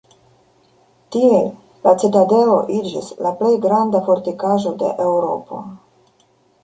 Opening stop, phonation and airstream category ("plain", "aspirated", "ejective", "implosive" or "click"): plain